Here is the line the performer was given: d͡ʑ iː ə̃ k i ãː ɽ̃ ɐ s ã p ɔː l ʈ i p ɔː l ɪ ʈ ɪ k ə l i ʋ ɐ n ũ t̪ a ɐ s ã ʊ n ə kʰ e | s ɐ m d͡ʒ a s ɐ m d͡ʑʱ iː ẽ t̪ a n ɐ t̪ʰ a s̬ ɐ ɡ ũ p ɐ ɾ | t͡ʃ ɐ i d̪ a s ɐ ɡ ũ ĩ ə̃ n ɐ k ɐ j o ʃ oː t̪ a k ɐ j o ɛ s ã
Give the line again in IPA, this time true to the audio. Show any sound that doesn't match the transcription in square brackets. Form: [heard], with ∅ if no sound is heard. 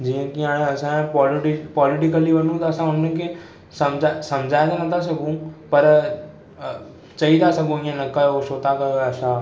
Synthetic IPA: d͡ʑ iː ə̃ k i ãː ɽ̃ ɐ s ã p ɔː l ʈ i p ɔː l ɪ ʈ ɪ k ə l i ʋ ɐ n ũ t̪ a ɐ s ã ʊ n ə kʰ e | s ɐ m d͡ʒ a s ɐ m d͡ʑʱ [aː] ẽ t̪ a n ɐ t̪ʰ a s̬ ɐ ɡ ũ p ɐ ɾ | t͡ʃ ɐ i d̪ a s ɐ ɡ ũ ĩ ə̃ n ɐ k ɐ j o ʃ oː t̪ a k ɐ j o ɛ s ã

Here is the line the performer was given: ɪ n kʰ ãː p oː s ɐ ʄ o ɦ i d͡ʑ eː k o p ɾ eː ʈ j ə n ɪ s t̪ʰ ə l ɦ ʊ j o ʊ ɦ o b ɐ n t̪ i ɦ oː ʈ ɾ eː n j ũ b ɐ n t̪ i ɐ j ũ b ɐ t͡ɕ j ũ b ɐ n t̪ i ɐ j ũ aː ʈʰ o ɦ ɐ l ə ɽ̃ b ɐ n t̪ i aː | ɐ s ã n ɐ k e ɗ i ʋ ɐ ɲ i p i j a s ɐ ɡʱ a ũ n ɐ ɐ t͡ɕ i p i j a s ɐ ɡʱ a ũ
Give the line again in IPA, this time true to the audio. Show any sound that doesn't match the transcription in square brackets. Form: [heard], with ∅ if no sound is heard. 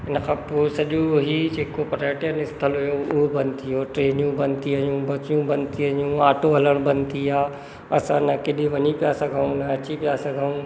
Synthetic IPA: ɪ n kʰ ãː p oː s ɐ ʄ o ɦ i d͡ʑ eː k o p ɾ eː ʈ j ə n ɪ s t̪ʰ ə l ɦ ʊ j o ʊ ɦ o b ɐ n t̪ i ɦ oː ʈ ɾ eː n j ũ b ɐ n t̪ i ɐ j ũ b ɐ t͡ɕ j ũ b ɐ n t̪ i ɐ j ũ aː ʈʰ o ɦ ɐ l ə ɽ̃ b ɐ n t̪ i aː | ɐ s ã n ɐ k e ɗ i ʋ ɐ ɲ i p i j a s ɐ ɡʱ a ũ n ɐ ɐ t͡ɕ i p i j a s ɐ ɡʱ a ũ

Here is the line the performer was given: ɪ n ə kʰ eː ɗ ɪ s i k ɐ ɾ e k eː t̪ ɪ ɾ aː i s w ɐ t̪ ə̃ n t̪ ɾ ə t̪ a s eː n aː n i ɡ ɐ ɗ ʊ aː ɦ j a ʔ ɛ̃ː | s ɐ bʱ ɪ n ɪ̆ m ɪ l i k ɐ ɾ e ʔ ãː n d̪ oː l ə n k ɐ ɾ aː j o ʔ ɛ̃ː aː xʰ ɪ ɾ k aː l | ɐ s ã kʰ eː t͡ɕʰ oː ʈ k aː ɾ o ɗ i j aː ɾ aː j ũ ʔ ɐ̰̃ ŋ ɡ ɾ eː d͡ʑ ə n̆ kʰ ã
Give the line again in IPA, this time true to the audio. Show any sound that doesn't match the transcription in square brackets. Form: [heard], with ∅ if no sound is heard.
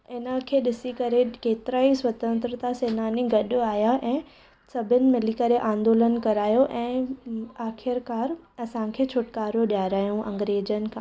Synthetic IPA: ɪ n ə kʰ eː ɗ ɪ s i k ɐ ɾ e k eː t̪ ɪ ɾ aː i s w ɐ t̪ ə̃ n t̪ ɾ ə t̪ a s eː n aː n i ɡ ɐ ɗ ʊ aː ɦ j a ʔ ɛ̃ː | s ɐ bʱ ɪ n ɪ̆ m ɪ l i k ɐ ɾ e ʔ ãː n d̪ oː l ə n k ɐ ɾ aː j o ʔ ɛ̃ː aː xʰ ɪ ɾ k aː [ɾ] | ɐ s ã kʰ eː t͡ɕʰ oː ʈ k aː ɾ o ɗ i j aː ɾ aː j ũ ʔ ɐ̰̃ ŋ ɡ ɾ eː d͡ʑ ə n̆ kʰ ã

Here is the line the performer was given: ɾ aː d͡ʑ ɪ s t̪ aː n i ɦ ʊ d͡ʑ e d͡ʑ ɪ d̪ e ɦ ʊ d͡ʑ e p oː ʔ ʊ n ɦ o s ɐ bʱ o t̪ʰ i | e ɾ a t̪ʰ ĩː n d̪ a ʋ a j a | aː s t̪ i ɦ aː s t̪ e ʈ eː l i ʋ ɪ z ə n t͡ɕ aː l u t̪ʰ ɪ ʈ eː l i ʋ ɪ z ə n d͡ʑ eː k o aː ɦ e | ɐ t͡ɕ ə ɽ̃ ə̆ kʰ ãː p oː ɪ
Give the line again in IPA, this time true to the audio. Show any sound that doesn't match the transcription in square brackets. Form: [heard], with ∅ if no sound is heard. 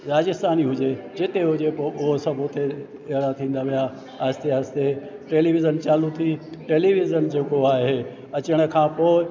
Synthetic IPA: ɾ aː d͡ʑ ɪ s t̪ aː n i ɦ ʊ d͡ʑ e d͡ʑ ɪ [t̪] e ɦ ʊ d͡ʑ e p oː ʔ ʊ [∅] ɦ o s ɐ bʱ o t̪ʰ [e] | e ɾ a t̪ʰ ĩː n d̪ a ʋ [i] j a | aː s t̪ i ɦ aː s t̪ e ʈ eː l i ʋ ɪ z ə n t͡ɕ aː l u t̪ʰ [i] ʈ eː l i ʋ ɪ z ə n d͡ʑ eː k o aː ɦ e | ɐ t͡ɕ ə ɽ̃ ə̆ kʰ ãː p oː ɪ

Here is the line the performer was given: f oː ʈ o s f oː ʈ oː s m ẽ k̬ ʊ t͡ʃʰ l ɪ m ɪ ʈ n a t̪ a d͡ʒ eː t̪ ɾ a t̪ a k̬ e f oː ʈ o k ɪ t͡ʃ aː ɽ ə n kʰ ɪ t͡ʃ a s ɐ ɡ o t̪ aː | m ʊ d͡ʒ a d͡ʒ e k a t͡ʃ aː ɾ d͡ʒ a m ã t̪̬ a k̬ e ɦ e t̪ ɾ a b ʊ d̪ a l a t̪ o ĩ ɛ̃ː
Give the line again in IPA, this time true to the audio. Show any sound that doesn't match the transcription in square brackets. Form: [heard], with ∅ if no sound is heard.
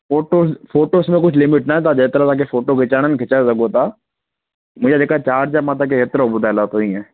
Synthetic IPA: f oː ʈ o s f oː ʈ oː s m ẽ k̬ ʊ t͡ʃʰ l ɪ m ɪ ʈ n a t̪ a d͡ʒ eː t̪ ɾ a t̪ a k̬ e f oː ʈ o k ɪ t͡ʃ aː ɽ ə n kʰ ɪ t͡ʃ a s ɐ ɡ o t̪ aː | m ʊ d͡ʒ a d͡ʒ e k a t͡ʃ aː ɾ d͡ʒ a m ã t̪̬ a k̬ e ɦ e t̪ ɾ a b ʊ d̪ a l a t̪ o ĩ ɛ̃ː

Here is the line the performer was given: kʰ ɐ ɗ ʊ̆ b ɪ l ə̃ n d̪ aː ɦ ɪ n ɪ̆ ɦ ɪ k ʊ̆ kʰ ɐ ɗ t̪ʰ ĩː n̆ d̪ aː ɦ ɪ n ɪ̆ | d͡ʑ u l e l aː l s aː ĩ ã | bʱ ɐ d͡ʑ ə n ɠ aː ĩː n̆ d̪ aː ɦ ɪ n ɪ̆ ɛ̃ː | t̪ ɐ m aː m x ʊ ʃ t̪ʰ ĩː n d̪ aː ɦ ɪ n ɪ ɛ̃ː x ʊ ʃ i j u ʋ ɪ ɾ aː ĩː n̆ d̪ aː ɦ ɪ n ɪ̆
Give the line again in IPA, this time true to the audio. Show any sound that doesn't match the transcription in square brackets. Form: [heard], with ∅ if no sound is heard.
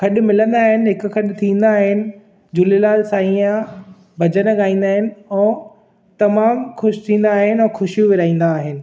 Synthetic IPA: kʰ ɐ ɗ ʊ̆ [m] ɪ l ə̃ n d̪ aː ɦ ɪ n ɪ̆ ɦ ɪ k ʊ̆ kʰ ɐ ɗ t̪ʰ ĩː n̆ d̪ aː ɦ ɪ n ɪ̆ | d͡ʑ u l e l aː l s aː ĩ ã | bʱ ɐ d͡ʑ ə n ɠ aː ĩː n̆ d̪ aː ɦ ɪ n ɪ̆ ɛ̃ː | t̪ ɐ m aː m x ʊ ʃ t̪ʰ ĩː n d̪ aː ɦ ɪ n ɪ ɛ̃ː x ʊ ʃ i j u ʋ ɪ ɾ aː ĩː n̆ d̪ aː ɦ ɪ n ɪ̆

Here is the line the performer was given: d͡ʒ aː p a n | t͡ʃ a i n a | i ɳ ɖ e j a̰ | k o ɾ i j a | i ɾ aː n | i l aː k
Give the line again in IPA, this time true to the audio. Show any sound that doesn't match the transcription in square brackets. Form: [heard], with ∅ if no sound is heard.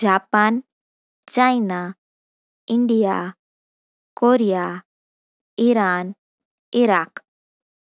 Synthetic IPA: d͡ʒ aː p a n | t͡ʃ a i n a | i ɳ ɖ [i] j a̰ | k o ɾ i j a | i ɾ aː n | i [ɾ] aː k

